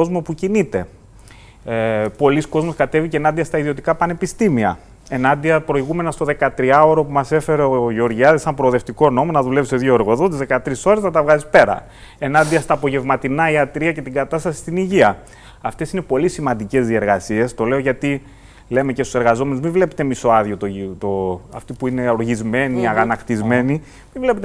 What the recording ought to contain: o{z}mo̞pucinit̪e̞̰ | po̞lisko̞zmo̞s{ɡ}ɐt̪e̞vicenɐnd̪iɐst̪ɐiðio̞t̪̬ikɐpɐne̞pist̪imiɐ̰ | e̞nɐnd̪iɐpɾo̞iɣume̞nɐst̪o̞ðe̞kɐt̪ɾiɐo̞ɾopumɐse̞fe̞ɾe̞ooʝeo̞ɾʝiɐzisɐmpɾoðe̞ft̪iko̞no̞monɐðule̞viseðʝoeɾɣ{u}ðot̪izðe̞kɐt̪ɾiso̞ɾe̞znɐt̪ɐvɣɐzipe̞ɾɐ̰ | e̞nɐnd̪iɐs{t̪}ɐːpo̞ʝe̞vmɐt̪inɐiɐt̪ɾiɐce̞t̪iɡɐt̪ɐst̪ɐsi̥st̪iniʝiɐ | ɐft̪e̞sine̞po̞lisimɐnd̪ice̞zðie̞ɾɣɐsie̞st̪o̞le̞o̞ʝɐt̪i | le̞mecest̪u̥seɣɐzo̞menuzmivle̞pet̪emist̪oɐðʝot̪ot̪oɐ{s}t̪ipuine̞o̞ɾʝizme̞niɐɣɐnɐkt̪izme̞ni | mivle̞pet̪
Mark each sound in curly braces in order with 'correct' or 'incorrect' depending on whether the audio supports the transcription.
correct, incorrect, incorrect, correct, incorrect

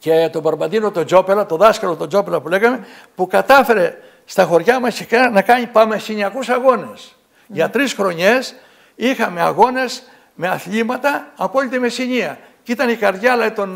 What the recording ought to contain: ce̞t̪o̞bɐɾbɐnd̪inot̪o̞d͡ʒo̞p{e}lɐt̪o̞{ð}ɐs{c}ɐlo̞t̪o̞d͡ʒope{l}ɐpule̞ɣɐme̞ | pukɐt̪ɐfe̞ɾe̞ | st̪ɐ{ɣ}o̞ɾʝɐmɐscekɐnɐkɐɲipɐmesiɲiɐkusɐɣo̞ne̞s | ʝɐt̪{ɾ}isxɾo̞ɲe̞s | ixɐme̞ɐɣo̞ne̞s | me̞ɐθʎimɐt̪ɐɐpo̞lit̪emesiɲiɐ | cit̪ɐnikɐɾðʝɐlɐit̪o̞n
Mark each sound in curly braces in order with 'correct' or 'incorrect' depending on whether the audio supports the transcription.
correct, correct, incorrect, correct, incorrect, correct

